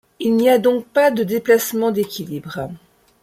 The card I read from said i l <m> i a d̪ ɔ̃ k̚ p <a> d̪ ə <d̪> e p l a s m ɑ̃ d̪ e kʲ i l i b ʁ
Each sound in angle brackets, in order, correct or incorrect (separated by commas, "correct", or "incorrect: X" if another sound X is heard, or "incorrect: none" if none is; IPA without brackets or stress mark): incorrect: n, correct, correct